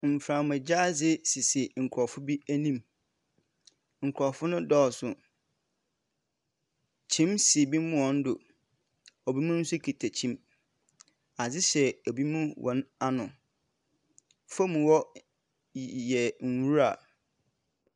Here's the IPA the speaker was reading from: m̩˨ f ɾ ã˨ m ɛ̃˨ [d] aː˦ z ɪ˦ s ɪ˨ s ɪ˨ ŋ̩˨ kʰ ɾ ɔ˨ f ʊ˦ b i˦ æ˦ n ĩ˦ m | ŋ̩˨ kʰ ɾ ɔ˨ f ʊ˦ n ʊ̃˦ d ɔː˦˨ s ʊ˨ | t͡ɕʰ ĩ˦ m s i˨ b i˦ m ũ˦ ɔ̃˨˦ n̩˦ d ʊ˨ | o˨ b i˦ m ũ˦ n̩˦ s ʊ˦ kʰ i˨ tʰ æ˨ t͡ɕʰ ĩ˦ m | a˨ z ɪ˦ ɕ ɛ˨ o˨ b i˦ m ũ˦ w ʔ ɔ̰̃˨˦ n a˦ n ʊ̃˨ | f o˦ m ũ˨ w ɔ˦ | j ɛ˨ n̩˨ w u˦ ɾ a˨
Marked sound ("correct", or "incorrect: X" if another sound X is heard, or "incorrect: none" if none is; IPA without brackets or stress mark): incorrect: d͡ʑ